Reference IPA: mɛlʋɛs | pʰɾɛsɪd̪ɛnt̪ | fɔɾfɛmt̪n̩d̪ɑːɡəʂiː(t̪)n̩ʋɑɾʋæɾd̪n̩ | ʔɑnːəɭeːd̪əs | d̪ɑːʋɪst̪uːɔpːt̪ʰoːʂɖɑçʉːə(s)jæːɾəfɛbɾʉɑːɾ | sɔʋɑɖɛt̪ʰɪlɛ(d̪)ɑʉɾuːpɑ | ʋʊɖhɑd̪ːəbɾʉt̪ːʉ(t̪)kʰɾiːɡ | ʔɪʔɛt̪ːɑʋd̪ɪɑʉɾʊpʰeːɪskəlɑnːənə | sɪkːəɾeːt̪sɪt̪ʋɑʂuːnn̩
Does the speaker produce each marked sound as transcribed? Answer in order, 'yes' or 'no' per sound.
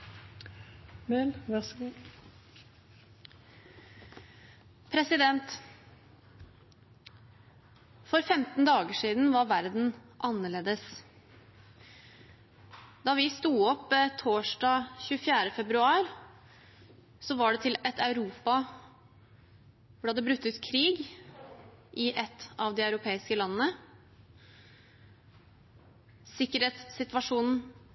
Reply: no, no, no, yes

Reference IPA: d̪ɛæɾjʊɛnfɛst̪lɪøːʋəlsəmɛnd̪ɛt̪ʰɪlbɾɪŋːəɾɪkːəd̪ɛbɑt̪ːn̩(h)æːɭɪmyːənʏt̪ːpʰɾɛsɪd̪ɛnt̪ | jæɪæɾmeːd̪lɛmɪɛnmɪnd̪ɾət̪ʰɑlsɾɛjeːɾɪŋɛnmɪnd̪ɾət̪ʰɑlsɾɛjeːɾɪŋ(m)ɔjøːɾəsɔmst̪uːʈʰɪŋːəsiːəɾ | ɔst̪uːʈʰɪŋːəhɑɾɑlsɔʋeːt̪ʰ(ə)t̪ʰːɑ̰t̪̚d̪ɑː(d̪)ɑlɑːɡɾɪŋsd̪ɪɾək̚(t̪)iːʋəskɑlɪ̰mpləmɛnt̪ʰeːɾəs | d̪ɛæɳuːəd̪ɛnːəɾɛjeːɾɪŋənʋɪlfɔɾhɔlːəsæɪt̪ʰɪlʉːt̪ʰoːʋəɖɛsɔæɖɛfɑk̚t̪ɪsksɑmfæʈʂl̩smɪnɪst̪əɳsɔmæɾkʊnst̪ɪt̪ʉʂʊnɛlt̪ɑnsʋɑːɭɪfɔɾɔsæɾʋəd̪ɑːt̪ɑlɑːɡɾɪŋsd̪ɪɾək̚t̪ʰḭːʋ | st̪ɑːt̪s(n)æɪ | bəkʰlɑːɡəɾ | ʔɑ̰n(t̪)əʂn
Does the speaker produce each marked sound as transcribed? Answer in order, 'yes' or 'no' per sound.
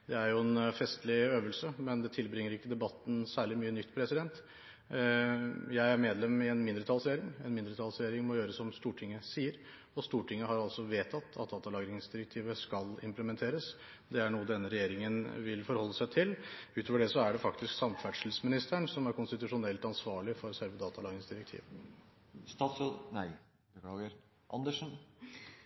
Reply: no, yes, no, no, no, yes, no

